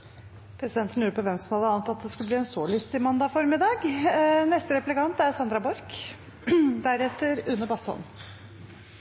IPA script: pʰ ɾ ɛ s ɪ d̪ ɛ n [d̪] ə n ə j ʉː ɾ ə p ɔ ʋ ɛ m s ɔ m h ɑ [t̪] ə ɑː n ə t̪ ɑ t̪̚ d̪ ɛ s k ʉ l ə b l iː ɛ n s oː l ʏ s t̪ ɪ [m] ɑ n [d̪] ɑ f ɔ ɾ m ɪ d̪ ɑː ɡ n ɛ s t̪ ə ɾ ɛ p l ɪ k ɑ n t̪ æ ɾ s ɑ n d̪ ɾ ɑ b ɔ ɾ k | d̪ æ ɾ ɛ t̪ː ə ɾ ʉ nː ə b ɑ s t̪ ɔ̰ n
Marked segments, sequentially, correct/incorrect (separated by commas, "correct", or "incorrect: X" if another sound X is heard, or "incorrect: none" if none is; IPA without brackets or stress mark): incorrect: t̪, incorrect: d̪, correct, correct